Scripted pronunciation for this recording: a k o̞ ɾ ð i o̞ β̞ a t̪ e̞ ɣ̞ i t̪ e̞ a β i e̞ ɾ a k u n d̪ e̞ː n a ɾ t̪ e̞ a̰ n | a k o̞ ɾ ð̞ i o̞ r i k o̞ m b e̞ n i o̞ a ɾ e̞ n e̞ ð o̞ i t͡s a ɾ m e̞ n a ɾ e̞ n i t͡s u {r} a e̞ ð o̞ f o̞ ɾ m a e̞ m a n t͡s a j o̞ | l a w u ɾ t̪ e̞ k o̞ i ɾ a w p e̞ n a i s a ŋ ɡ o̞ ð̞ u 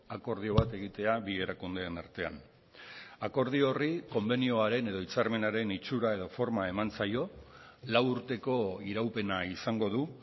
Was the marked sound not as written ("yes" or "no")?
yes